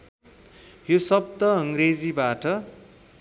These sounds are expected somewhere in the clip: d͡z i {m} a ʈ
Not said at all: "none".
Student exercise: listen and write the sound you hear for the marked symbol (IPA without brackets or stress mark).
b